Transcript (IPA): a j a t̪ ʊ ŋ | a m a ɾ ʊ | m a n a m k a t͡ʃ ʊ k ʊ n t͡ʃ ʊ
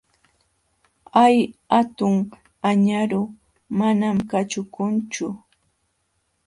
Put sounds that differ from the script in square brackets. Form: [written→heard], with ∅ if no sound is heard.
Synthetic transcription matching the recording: a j a t̪ ʊ ŋ | a [m→ɲ] a ɾ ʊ | m a n a m k a t͡ʃ ʊ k ʊ n t͡ʃ ʊ